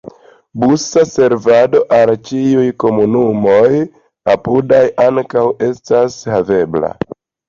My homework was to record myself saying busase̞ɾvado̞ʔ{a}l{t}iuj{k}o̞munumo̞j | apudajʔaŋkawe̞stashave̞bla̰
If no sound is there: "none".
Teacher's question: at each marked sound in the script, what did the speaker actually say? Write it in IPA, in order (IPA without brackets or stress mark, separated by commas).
a, t͡ʃ, k